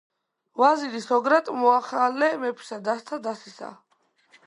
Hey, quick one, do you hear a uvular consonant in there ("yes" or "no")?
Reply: yes